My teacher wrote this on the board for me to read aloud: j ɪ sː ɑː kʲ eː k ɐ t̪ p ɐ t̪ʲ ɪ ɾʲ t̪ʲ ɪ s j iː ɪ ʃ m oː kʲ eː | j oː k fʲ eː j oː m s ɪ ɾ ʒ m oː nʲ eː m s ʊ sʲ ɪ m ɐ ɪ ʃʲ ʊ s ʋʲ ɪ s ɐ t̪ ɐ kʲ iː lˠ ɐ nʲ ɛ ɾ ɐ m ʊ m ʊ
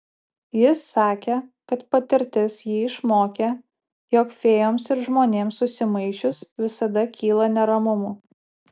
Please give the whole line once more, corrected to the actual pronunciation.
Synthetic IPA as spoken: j ɪ sː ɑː kʲ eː k ɐ t̪ p ɐ t̪ʲ ɪ ɾʲ t̪ʲ ɪ s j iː ɪ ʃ m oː kʲ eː | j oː k fʲ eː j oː m s ɪ ɾ ʒ m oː nʲ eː m s ʊ sʲ ɪ m ɐ ɪ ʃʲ ʊ s ʋʲ ɪ s ɐ d̪ ɐ kʲ iː lˠ ɐ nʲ ɛ ɾ ɐ m ʊ m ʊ